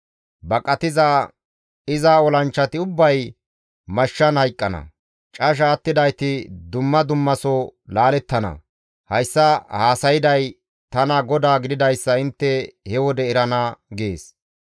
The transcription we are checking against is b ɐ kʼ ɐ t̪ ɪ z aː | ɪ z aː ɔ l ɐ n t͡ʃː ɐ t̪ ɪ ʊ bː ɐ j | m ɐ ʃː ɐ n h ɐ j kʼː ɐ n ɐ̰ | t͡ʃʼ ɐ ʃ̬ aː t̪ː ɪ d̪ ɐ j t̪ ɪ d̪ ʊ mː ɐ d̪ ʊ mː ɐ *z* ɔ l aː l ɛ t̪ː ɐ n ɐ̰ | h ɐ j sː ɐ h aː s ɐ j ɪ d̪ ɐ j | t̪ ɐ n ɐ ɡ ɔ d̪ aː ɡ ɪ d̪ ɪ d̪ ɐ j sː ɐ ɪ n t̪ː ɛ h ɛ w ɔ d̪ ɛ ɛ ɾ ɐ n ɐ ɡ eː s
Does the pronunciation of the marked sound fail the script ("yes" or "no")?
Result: yes